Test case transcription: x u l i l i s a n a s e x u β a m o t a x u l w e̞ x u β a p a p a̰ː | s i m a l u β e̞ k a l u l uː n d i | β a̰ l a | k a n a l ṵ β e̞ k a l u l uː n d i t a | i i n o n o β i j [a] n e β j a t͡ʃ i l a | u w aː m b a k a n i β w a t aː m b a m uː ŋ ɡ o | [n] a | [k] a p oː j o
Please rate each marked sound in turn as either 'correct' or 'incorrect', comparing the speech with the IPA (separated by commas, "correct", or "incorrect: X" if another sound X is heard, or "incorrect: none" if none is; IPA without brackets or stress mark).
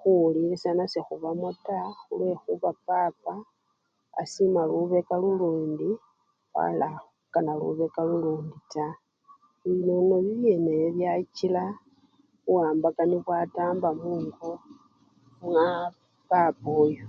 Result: incorrect: e, incorrect: m, incorrect: p